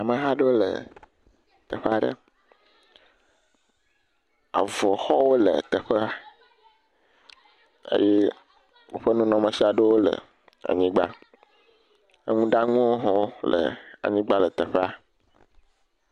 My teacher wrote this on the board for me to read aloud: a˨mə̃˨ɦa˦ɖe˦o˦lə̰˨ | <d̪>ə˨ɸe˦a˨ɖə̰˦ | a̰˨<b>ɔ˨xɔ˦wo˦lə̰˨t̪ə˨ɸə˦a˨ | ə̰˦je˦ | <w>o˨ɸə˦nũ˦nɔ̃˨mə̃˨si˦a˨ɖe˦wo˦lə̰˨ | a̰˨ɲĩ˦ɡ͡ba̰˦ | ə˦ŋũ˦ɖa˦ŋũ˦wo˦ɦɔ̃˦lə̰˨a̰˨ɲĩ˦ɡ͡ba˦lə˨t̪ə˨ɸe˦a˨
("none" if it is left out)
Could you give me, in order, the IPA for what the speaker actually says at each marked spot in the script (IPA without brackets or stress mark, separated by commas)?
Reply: t̪, v, w